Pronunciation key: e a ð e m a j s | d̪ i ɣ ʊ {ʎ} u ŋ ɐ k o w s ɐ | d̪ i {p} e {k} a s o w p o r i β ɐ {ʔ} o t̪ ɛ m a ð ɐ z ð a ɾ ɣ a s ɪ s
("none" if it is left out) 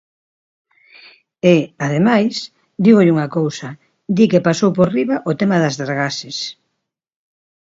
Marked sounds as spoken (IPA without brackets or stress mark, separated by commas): ʎ, k, p, ʔ